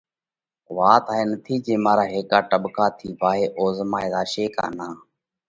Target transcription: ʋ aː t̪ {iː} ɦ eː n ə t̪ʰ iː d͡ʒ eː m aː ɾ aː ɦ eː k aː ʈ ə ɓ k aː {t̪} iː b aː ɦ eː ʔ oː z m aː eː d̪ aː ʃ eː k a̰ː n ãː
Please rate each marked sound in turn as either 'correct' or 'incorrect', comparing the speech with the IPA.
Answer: incorrect: aː, incorrect: t̪ʰ

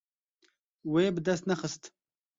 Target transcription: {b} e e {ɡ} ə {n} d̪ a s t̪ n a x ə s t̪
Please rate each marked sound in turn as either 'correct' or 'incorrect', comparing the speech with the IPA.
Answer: incorrect: w, incorrect: b, incorrect: none

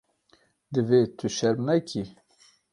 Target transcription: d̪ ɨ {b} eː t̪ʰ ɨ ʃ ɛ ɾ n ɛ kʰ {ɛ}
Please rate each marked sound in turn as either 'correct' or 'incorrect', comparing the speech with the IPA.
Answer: incorrect: v, incorrect: i

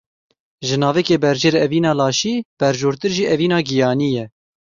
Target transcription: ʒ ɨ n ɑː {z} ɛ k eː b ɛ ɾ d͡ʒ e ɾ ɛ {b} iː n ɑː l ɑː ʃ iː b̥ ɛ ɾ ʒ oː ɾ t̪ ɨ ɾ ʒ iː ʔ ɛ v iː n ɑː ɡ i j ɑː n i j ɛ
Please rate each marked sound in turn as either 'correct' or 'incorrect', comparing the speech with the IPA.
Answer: incorrect: v, incorrect: v

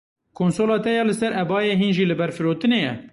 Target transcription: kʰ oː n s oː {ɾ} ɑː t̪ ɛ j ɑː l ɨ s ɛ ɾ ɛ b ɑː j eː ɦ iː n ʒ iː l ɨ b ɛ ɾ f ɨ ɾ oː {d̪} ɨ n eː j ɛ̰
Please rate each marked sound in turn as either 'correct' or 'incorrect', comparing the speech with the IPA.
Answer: incorrect: l, incorrect: t̪

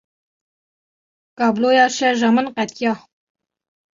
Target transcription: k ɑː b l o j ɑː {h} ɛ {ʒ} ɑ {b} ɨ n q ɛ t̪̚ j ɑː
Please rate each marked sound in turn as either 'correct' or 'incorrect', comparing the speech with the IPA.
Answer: incorrect: ʃ, correct, incorrect: m

